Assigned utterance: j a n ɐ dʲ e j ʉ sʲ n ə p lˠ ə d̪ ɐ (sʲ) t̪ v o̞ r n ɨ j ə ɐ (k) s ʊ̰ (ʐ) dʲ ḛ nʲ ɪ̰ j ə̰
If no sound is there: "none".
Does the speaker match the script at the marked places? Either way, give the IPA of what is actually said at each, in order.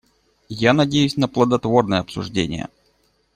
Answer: none, p, ʐ

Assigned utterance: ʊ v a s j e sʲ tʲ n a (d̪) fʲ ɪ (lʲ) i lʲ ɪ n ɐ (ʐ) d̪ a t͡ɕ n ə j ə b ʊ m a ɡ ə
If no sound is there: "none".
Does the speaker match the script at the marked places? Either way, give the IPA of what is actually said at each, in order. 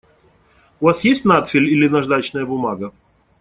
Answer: t̪, lʲ, ʐ

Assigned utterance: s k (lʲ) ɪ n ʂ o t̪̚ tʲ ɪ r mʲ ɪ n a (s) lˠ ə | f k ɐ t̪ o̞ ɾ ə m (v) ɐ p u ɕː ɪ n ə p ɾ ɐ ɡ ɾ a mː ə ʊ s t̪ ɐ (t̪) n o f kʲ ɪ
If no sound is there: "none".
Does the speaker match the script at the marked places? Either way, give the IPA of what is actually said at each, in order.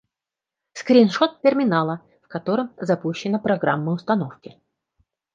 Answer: ɾʲ, none, z, none

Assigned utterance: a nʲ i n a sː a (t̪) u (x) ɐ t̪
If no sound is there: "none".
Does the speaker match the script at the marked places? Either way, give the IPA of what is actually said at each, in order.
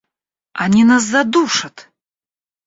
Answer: d̪, ʂ

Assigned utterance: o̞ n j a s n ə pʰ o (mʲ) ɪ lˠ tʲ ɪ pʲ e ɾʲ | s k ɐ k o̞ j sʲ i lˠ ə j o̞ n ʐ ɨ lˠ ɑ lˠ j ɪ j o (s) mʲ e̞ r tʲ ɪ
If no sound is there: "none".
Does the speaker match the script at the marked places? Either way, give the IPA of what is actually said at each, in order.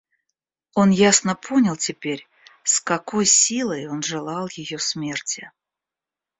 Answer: nʲ, s

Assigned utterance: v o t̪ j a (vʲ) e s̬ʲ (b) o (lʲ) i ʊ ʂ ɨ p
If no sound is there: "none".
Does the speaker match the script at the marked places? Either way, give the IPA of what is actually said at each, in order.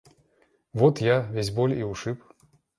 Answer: vʲ, b, lʲ

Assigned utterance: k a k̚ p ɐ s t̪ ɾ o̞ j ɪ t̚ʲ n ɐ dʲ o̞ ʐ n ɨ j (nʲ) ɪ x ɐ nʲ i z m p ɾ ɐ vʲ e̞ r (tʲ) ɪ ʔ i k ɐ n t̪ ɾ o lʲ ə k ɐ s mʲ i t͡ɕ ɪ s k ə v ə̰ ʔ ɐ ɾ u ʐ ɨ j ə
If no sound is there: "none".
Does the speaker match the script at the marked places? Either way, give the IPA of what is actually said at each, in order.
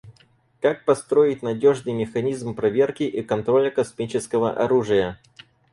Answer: mʲ, kʲ

